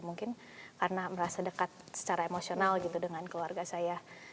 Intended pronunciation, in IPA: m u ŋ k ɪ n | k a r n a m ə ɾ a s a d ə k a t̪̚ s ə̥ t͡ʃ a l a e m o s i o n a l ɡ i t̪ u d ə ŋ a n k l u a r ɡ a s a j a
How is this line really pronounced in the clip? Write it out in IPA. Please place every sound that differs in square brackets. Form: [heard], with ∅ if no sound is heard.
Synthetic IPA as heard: m u ŋ k ɪ n | k a r n a m ə ɾ a s a d ə k a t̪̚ s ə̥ t͡ʃ a [ɾ] a e m o s i o n a l ɡ i t̪ u d ə ŋ a n k l u a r ɡ a s a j a